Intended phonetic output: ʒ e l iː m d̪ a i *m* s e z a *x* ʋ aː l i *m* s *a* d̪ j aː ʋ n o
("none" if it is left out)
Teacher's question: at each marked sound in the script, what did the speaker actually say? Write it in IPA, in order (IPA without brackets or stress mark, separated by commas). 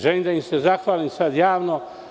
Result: m, x, m, a